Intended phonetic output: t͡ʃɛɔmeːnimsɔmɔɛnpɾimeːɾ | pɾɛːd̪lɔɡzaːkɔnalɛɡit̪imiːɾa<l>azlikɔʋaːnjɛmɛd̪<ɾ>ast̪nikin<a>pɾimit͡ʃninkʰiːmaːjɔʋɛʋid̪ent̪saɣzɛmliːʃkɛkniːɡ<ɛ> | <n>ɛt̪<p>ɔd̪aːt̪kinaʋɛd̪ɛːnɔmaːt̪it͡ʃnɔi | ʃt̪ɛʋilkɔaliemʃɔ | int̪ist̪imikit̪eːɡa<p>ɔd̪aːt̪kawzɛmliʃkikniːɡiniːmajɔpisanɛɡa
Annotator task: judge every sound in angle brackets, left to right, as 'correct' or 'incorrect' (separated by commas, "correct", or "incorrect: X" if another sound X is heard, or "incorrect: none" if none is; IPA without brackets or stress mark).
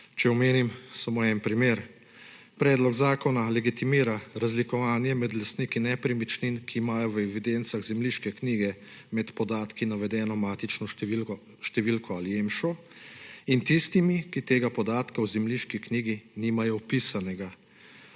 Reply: incorrect: ɾ, incorrect: l, incorrect: ɛ, correct, incorrect: m, correct, correct